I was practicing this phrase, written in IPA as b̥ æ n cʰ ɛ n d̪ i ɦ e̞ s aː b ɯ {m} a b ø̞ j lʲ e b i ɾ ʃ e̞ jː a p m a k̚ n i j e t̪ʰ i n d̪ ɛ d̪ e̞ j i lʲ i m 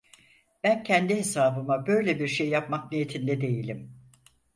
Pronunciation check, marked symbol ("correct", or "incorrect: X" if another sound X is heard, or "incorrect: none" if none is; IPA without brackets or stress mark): correct